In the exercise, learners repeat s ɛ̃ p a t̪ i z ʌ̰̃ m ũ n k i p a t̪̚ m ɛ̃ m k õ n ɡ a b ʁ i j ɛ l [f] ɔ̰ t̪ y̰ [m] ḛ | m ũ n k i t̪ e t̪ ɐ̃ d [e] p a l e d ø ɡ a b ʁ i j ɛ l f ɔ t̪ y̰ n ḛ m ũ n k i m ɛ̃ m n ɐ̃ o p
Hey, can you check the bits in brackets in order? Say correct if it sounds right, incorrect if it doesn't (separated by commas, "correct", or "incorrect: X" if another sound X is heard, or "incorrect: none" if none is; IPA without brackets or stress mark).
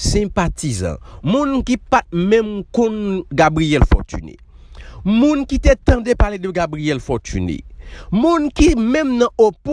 correct, incorrect: n, correct